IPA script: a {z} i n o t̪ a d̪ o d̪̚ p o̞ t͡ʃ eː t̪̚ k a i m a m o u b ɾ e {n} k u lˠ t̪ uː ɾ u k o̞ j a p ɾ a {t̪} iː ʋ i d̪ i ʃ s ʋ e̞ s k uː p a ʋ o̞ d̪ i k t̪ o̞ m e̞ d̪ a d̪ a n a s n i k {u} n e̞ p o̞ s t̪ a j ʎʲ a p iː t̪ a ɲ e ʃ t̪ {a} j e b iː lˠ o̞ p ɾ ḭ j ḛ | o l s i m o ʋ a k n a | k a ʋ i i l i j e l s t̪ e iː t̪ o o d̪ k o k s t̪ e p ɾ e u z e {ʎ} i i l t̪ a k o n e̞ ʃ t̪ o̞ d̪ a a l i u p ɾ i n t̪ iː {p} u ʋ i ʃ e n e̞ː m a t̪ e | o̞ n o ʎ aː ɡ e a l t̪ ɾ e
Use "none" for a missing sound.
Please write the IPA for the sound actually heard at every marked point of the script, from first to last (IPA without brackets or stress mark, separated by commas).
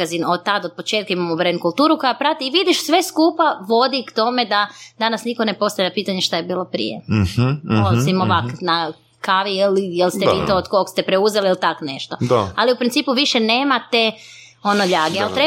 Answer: z, n, t̪, o, a, l, p